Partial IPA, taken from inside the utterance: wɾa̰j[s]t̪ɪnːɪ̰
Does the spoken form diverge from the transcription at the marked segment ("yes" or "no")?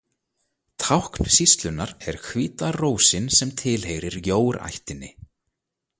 yes